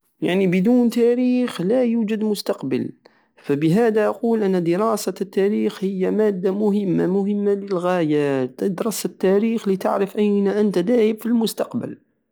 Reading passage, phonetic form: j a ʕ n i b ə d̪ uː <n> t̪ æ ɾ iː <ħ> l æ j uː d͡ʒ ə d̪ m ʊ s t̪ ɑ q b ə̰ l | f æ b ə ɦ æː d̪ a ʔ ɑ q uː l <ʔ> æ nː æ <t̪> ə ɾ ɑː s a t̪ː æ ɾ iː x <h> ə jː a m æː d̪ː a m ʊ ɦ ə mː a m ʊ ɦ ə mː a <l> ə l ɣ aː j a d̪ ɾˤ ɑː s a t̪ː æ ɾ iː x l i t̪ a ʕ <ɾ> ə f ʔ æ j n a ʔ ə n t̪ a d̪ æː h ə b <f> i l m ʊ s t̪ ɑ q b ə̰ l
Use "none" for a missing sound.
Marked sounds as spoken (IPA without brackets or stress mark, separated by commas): n, x, ʔ, d̪, h, l, ɾ, f